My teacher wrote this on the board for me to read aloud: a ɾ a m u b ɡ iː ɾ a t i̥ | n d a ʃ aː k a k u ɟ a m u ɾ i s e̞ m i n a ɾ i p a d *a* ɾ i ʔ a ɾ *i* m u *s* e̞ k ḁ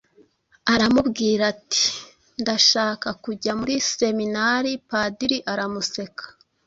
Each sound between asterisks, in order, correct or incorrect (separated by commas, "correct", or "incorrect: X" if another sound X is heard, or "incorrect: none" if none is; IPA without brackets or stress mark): incorrect: i, incorrect: a, correct